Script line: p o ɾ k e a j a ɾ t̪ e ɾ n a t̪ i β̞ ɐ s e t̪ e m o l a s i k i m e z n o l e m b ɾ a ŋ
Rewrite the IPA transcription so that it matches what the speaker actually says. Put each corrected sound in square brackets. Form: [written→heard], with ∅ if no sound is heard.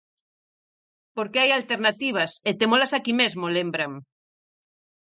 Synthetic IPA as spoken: p o ɾ k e a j a [ɾ→l] t̪ e ɾ n a t̪ i β̞ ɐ s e t̪ e m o l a s [i→a] k i m e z [n→m] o l e m b ɾ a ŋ